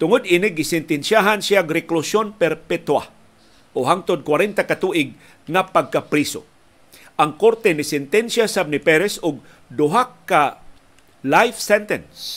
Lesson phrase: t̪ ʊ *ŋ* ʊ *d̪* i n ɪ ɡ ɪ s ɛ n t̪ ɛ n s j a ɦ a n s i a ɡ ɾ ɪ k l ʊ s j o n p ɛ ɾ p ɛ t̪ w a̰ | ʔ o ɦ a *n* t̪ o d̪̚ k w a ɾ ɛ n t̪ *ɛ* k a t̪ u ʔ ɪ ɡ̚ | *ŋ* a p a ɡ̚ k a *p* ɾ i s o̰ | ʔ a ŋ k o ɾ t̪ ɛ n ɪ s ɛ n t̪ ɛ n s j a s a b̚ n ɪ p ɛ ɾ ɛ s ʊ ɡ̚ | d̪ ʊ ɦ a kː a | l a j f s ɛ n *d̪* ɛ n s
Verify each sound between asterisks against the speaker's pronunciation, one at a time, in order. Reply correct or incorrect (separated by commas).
correct, correct, incorrect, incorrect, correct, correct, incorrect